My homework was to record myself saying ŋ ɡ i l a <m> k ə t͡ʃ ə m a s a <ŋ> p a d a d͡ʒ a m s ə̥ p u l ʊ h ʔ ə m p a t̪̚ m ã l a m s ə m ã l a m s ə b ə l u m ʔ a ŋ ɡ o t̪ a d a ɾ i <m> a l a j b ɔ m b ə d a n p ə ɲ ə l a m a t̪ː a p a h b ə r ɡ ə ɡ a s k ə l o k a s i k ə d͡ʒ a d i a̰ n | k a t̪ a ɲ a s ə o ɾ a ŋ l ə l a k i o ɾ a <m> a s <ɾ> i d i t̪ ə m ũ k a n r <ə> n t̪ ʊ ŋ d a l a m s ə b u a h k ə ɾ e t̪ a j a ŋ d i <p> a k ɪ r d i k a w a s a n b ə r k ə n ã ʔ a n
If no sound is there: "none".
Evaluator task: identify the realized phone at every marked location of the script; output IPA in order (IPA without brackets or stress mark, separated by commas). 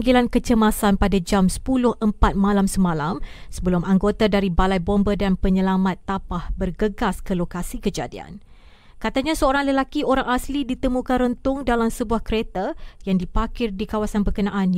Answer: n, n, b, ŋ, l, ə, p